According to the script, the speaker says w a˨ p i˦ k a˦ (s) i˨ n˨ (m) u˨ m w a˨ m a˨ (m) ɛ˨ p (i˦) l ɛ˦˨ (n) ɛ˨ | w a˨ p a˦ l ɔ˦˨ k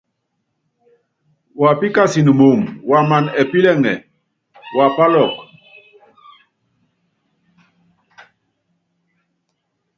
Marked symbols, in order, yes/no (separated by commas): yes, yes, no, yes, no